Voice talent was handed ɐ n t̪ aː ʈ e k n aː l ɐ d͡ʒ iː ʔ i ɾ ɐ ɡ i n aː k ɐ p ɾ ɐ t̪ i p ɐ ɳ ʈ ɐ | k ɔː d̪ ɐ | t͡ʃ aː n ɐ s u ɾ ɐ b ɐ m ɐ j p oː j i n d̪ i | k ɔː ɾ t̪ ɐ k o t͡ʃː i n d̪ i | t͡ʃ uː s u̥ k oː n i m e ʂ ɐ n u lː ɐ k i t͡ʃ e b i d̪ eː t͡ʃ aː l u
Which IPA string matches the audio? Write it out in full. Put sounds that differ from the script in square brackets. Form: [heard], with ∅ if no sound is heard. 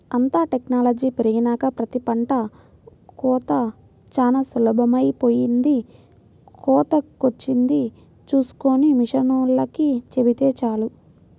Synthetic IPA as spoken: ɐ n t̪ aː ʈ e k n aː l ɐ d͡ʒ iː [p] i ɾ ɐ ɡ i n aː k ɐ p ɾ ɐ t̪ i p ɐ ɳ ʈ ɐ | k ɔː [t̪] ɐ | t͡ʃ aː n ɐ s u [l] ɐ b ɐ m ɐ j p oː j i n d̪ i | k ɔː [∅] t̪ ɐ k o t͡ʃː i n d̪ i | t͡ʃ uː s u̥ k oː n i m [i] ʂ ɐ n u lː ɐ k i t͡ʃ e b i [t̪] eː t͡ʃ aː l u